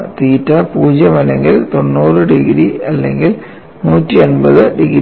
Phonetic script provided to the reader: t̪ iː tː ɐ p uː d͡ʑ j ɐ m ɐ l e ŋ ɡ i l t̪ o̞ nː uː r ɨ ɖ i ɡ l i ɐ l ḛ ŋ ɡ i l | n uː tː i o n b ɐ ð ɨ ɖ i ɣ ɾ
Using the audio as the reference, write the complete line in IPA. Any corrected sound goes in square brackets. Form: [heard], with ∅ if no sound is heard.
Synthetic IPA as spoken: t̪ iː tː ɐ p uː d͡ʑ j ɐ m ɐ l e ŋ ɡ i l t̪ o̞ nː uː r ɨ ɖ i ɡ [ɾ] i ɐ [lː] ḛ ŋ ɡ i l | n uː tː i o n b ɐ ð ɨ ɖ i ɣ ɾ